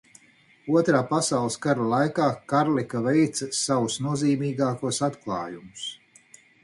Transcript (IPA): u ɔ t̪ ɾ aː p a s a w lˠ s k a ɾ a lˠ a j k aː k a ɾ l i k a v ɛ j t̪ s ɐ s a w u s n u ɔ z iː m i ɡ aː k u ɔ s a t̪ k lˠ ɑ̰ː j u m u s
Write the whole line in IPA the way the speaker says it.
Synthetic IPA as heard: u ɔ t̪ ɾ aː p a s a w lˠ s k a ɾ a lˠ a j k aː k a ɾ l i k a v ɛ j t̪ s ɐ s a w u s n u ɔ z iː m iː ɡ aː k u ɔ s a t̪ k lˠ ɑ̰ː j u m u s